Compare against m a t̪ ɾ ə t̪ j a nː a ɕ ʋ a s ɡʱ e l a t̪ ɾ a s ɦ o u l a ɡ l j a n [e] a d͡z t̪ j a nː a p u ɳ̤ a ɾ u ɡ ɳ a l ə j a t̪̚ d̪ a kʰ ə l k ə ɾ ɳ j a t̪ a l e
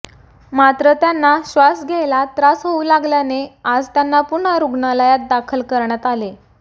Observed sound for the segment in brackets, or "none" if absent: e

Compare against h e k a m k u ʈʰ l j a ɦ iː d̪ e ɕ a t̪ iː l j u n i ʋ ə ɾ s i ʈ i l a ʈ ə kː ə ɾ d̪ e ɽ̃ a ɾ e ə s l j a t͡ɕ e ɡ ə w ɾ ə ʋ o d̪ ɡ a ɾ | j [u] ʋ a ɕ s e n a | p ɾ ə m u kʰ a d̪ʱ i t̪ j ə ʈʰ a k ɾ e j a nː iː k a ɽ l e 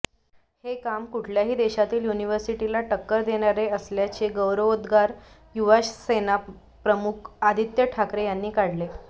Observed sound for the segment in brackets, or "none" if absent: u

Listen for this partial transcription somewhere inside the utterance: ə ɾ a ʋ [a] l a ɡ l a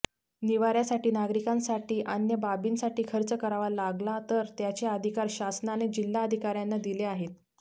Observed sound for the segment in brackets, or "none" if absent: a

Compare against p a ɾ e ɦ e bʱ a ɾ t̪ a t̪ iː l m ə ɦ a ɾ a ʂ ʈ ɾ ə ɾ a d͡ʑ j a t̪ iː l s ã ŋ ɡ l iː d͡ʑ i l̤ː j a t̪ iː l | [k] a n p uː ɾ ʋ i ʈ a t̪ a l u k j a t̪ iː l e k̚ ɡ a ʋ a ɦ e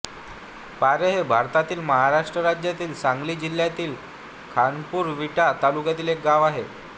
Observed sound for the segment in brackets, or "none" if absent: kʰ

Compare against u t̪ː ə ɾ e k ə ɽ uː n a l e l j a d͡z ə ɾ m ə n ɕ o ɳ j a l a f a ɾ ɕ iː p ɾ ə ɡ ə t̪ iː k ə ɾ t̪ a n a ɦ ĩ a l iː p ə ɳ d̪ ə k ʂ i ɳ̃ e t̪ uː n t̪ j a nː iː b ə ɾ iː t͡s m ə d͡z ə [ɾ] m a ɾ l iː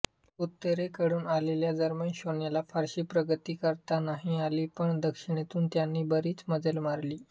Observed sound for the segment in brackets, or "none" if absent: l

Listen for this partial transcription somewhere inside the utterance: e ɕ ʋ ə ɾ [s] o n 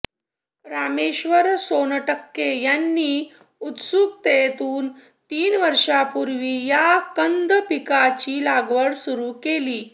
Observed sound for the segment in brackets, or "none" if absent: s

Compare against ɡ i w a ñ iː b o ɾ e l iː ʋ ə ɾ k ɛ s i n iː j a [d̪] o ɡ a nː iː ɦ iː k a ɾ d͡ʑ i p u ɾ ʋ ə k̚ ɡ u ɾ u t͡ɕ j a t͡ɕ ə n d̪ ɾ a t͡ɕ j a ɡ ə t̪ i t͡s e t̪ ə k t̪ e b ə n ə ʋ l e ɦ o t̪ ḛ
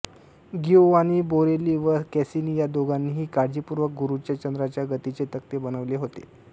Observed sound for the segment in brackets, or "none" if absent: d̪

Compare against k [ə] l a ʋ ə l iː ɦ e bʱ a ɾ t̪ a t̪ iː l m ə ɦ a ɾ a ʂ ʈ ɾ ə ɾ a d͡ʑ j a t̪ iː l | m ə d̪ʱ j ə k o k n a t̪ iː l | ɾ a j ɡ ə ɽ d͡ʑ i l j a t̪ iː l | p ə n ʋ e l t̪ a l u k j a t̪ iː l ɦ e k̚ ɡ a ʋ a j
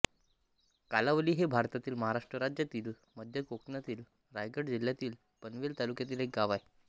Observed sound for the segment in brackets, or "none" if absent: a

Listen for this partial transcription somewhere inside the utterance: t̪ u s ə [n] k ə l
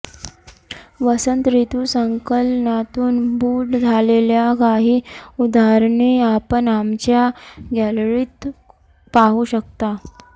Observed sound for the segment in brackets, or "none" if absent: ŋ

